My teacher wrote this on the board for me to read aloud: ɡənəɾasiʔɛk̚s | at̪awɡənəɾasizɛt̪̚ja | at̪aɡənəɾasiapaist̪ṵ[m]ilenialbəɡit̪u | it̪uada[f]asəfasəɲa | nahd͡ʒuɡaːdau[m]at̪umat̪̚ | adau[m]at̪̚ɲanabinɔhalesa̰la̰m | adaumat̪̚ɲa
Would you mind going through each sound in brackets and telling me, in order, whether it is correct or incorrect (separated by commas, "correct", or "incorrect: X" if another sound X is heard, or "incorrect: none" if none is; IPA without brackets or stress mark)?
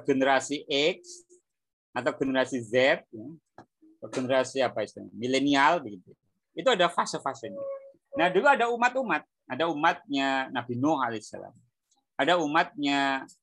correct, correct, correct, correct